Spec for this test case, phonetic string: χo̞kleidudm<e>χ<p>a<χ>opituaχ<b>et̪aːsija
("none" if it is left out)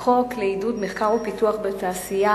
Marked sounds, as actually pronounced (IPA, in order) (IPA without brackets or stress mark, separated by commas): e, k, ʁ, b